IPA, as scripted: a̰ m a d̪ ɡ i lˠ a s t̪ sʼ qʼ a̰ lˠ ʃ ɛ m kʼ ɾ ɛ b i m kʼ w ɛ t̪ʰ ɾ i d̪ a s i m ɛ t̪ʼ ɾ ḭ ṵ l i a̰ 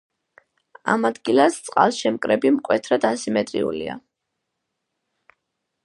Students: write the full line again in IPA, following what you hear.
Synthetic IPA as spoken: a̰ m a d̪ ɡ i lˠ a s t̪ sʼ qʼ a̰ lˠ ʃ ɛ m kʼ ɾ ɛ b i m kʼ w ɛ t̪ʰ ɾ a d̪ a s i m ɛ t̪ʼ ɾ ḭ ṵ l i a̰